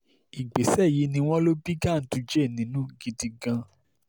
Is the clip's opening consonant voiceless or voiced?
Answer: voiced